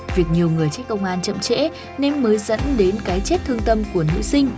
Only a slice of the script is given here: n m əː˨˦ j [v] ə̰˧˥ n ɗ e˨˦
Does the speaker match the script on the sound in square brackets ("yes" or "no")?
no